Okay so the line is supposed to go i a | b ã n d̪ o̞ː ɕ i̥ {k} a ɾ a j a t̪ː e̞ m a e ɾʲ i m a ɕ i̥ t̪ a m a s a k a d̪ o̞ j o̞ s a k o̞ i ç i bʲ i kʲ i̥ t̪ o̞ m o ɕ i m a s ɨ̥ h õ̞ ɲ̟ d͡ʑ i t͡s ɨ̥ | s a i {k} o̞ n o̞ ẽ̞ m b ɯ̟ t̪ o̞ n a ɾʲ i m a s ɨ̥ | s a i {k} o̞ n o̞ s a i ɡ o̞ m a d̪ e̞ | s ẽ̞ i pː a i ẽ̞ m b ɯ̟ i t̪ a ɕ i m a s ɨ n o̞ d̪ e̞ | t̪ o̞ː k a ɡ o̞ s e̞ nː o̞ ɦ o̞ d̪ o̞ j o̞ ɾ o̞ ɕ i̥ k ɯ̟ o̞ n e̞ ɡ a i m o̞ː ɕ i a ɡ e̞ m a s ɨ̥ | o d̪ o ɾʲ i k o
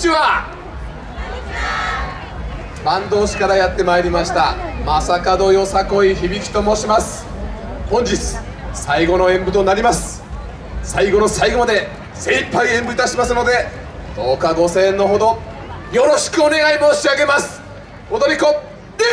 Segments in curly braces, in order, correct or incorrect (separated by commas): correct, incorrect, incorrect